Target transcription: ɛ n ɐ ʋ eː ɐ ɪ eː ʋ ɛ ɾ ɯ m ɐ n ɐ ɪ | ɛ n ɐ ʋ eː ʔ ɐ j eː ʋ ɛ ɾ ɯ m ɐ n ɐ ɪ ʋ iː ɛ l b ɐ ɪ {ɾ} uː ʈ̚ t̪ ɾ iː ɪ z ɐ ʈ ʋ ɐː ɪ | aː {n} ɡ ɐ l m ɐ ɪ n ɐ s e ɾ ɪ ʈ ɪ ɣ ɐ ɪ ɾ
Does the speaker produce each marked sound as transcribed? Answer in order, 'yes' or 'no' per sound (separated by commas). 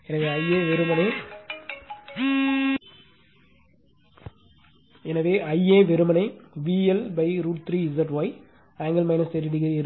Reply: yes, no